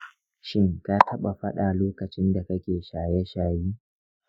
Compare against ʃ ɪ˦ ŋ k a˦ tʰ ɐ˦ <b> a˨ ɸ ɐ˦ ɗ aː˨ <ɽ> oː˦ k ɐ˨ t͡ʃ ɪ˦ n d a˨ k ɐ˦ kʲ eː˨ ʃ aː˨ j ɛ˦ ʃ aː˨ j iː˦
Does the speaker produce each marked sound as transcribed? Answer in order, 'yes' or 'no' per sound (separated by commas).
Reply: no, no